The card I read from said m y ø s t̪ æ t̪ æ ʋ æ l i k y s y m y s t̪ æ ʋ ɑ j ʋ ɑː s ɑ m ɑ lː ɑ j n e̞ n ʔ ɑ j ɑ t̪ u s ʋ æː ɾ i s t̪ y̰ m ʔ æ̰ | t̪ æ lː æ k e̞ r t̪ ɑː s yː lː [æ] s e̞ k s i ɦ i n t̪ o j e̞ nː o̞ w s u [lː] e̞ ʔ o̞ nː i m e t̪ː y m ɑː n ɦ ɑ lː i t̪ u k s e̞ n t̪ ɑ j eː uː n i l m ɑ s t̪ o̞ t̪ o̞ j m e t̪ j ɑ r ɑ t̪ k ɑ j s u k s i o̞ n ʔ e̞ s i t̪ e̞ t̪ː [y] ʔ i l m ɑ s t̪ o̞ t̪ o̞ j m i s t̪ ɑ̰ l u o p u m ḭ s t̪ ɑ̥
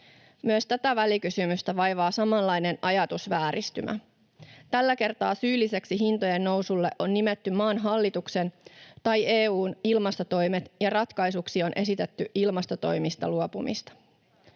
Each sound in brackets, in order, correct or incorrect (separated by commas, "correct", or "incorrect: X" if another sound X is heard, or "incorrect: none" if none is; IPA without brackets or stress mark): incorrect: i, correct, correct